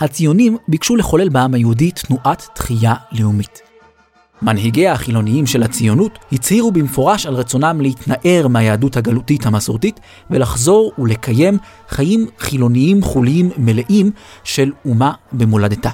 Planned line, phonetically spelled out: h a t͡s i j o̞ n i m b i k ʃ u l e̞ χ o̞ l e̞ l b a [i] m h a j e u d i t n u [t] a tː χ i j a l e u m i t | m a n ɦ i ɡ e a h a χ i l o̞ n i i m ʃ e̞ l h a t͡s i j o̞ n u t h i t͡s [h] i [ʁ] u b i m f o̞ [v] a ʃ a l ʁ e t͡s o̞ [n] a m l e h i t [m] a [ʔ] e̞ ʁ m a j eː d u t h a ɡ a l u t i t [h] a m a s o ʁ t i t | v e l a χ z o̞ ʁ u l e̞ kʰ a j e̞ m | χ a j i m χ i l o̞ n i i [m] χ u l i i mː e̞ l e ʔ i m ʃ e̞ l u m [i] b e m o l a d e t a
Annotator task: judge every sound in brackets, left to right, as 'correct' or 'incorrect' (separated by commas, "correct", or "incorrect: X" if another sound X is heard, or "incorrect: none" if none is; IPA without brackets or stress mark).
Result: incorrect: a, incorrect: ʔ, correct, correct, incorrect: ʁ, correct, incorrect: n, correct, correct, correct, incorrect: a